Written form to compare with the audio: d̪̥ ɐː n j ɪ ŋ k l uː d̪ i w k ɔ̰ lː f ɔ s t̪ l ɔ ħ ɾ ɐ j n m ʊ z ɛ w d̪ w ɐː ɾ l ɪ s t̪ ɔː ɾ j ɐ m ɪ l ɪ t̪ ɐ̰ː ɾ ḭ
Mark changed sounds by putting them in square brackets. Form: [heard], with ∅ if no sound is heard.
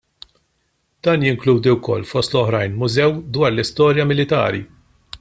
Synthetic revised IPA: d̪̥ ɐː n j ɪ ŋ k l uː d̪ i w k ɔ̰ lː f ɔ s t̪ l ɔ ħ ɾ ɐ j n m ʊ z ɛ w d̪ w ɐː ɾ l ɪ s t̪ ɔː ɾ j ɐ m ɪ l ɪ t̪ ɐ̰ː ɾ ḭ